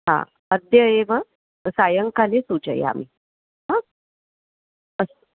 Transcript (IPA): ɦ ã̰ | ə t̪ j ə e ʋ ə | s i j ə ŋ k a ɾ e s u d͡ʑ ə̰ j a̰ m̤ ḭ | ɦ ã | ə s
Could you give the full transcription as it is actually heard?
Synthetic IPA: ɦ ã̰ | ə d̪ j ə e ʋ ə | s a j ə ŋ k a l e s u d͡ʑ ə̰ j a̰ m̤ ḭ | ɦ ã | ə s